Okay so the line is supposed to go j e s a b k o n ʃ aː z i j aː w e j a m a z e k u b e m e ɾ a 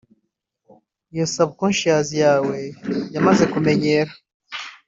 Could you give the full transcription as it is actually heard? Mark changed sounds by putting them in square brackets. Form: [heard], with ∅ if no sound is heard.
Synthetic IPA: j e s a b k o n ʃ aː z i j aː w e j a m a z e k u [m] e [ɲ] e ɾ a

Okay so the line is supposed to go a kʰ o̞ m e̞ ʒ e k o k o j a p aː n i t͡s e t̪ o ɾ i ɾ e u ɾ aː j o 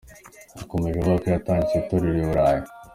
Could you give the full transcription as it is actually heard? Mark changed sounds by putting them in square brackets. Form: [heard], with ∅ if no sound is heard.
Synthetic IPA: a [k] o̞ m e̞ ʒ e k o k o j a [t] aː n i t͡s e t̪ o ɾ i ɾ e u ɾ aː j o

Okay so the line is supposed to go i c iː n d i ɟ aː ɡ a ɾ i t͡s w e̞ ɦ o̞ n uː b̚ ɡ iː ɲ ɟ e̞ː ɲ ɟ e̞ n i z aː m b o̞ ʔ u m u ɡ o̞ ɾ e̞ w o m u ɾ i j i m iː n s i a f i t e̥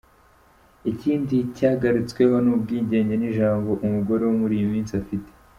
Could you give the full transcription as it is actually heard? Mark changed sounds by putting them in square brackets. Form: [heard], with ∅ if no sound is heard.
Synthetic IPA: i c iː n d i [c] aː ɡ a ɾ i t͡s w e̞ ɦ o̞ n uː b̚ ɡ iː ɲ ɟ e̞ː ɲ ɟ e̞ n i [ʒ] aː m b o̞ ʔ u m u ɡ o̞ ɾ e̞ w o m u ɾ i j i m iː n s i a f i t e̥

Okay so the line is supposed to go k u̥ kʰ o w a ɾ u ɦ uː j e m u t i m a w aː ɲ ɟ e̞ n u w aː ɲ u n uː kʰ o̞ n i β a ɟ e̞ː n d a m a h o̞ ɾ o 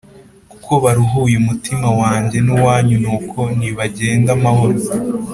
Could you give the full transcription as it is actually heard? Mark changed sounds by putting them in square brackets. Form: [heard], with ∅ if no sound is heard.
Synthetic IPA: k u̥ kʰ o [β] a ɾ u ɦ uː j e m u t i m a w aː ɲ ɟ e̞ n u w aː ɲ u n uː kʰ o̞ n i β a ɟ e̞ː n d a m a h o̞ ɾ o

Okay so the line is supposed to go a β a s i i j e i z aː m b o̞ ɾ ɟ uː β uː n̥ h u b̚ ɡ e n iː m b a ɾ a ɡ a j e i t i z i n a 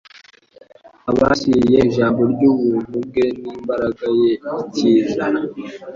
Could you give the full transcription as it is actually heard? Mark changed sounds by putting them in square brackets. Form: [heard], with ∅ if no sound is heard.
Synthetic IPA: a β a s i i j e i [ʒ] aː m b o̞ ɾ ɟ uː β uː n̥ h u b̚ ɡ e n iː m b a ɾ a ɡ a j e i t i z [a] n a

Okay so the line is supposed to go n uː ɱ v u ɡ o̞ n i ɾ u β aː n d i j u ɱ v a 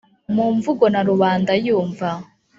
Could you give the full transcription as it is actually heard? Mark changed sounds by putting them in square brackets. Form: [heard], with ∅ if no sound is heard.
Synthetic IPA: [m] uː ɱ v u ɡ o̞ n [a] ɾ u β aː n d [a] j [uː] ɱ v a

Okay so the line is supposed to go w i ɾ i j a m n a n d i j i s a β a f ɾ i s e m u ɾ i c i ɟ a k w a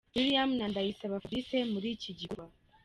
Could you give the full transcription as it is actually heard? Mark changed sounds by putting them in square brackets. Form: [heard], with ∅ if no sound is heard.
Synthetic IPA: w i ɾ i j a m n a n d [a] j i s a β a f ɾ i s e m u ɾ i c i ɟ [i] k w a

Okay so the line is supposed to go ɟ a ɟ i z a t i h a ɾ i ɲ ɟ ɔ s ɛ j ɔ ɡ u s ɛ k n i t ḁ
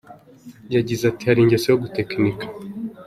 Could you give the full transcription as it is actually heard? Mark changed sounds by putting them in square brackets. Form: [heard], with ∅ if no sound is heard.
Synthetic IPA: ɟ a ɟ i z a t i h a ɾ i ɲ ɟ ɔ s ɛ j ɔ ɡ u [t] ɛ k n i [k] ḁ

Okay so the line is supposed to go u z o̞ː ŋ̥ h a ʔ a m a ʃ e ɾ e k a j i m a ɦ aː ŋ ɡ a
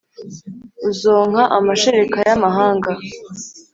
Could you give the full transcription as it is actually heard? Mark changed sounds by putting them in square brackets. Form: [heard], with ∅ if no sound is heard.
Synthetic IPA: u z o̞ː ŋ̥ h a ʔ a m a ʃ e ɾ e k a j [a] m a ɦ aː ŋ ɡ a

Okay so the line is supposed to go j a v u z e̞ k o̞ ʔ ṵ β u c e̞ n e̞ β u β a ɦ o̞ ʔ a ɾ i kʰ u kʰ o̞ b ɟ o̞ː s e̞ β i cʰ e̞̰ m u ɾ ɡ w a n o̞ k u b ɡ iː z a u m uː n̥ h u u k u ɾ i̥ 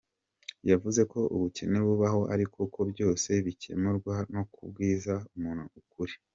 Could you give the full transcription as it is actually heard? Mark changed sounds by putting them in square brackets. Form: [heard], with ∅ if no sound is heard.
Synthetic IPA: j a v u z e̞ k o̞ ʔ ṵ β u c e̞ n e̞ β u β a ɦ o̞ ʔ a ɾ i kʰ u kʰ o̞ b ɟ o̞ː s e̞ β i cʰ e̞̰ m u ɾ ɡ w a n o̞ k u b ɡ iː z a u m uː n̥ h u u k u ɾ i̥

